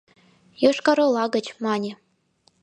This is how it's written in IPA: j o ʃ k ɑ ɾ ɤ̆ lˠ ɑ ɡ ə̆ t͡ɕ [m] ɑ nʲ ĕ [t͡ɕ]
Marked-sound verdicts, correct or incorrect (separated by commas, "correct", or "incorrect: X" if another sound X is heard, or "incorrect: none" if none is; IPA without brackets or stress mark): correct, incorrect: none